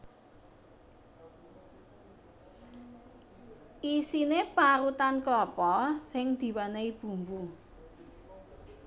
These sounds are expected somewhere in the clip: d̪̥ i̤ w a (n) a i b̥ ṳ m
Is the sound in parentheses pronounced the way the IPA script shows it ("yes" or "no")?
yes